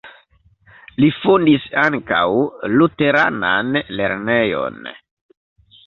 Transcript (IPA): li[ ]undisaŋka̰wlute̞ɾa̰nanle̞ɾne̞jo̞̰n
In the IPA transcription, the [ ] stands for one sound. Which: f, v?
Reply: f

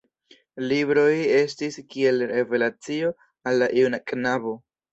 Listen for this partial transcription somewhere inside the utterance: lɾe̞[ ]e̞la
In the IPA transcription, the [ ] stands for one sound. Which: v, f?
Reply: v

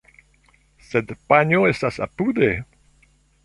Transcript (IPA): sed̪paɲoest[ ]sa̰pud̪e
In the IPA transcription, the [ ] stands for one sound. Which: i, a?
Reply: a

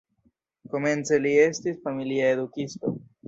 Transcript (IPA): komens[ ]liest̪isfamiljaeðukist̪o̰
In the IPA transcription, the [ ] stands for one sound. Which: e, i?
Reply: e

